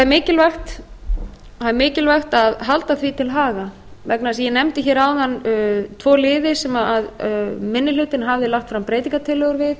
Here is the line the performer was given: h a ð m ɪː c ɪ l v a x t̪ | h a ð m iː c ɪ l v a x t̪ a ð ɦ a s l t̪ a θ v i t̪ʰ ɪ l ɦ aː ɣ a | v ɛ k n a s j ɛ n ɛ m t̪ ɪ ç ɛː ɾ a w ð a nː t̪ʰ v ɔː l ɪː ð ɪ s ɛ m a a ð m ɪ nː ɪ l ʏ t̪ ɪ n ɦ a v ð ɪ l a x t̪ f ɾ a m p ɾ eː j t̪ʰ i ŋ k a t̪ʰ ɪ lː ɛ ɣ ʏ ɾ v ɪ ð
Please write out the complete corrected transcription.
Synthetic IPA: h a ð m ɪː c ɪ l v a x t̪ | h a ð m ɪː c ɪ l v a x t̪ a ð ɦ a l t̪ a θ v i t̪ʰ ɪ l ɦ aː ɣ a | v ɛ k n a s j ɛ n ɛ m t̪ ɪ ç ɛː ɾ a w ð a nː t̪ʰ v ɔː l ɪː ð ɪ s ɛ m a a ð m ɪ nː ɪ l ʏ t̪ ɪ n ɦ a v ð ɪ l a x t̪ f ɾ a m p ɾ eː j t̪ i ŋ k a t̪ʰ ɪ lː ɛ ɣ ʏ ɾ v ɪ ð